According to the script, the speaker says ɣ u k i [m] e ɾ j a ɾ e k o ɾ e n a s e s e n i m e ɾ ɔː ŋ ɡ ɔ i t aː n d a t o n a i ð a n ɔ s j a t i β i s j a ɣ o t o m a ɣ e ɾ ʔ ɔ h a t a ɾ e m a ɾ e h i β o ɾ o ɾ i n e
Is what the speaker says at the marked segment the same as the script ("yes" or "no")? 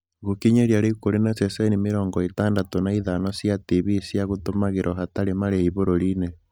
no